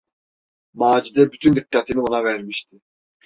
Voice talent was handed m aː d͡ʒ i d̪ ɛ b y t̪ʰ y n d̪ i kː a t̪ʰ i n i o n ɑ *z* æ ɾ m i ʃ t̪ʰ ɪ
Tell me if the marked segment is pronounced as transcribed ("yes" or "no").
no